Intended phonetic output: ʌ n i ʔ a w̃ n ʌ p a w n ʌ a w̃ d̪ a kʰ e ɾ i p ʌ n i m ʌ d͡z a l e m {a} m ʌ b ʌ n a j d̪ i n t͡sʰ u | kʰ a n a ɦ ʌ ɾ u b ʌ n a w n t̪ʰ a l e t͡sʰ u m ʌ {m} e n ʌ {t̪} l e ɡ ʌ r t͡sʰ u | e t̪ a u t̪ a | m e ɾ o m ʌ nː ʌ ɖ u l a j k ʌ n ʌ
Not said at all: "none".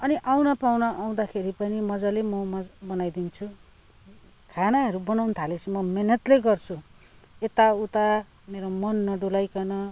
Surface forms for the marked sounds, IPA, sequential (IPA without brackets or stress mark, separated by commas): ʌ, m, t̪